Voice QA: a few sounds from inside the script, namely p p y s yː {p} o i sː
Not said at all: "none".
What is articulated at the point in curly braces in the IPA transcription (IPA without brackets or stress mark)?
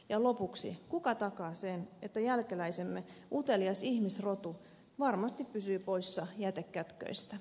p